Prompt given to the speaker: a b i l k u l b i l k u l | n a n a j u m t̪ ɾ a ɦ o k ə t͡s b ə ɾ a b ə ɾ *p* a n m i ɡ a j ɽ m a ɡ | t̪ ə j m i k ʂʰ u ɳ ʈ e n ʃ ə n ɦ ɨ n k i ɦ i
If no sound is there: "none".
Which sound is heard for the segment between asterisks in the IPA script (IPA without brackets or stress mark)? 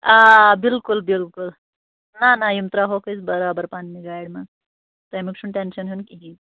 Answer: p